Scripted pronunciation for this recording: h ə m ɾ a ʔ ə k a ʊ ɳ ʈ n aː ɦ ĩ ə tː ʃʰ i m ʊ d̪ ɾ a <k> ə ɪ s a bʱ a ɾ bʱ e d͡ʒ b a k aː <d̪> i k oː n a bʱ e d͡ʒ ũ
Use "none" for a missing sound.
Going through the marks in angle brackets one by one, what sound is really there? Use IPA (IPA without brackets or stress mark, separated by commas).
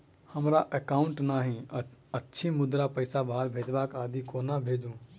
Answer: p, d̪